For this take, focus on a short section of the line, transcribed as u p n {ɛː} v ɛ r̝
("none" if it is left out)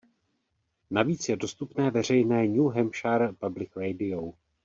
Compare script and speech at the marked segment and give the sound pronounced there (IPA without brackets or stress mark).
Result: ɛː